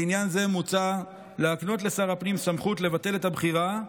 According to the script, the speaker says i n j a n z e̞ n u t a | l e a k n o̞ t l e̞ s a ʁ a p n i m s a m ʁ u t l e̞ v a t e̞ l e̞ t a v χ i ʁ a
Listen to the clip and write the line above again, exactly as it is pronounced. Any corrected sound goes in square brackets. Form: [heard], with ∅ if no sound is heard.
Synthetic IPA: i n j a n z e̞ [m] u [t͡s] a | l e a k n o̞ t l e̞ s a ʁ a p n i m s a m [χ] u t l e̞ v a t e̞ l e̞ t a [b] χ i ʁ a